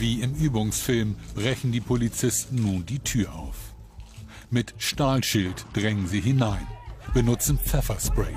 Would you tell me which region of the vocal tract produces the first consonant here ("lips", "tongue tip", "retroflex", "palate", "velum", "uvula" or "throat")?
lips